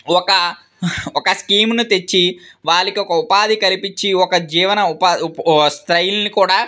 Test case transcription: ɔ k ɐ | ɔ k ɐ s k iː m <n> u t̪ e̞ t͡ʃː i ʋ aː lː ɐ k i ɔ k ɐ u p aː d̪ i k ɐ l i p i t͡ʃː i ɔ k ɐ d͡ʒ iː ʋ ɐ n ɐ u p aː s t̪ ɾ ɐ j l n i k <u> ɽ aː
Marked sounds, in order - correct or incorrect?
correct, incorrect

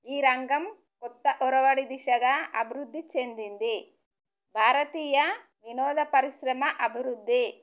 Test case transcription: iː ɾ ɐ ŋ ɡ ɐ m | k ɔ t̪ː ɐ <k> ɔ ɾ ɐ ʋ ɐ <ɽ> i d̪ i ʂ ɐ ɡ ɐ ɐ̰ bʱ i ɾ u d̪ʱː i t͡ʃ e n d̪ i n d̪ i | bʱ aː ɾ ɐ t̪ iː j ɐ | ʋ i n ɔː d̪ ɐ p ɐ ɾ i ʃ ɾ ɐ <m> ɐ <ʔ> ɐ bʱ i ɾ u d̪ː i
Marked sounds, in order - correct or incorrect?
incorrect, correct, correct, correct

